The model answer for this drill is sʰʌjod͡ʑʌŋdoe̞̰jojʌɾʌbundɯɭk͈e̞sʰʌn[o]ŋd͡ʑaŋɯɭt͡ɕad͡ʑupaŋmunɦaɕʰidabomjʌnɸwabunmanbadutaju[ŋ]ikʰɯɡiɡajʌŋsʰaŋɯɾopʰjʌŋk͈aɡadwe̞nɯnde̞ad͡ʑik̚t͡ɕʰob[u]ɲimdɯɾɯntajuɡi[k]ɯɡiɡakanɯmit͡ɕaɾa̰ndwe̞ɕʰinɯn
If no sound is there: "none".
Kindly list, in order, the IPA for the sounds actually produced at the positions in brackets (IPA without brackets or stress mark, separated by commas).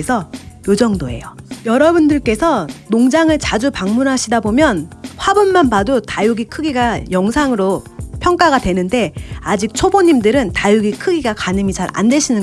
o, ɡ, o, kʰ